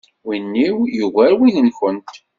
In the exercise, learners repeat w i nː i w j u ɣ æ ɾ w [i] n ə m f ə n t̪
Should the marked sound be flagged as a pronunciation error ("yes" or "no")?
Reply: no